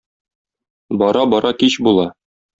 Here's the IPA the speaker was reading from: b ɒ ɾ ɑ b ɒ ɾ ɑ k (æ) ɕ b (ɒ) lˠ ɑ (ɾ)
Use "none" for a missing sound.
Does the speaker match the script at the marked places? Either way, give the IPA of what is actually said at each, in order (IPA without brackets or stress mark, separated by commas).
i, u, none